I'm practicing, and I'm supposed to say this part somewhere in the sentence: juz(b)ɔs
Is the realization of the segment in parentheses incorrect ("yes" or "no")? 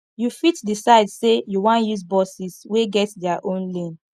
no